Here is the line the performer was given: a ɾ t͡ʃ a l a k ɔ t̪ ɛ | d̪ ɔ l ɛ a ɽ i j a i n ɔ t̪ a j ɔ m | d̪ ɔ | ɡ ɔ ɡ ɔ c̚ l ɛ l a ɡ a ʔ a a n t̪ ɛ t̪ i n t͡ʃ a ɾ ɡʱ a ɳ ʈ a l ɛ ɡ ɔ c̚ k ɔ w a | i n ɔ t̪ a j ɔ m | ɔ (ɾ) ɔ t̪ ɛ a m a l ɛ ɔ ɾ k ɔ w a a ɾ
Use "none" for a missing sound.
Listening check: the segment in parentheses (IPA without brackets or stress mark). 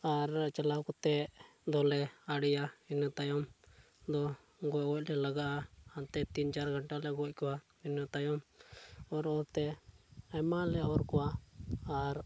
ɾ